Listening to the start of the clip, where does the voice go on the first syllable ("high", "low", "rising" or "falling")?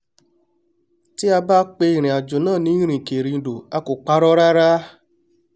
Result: high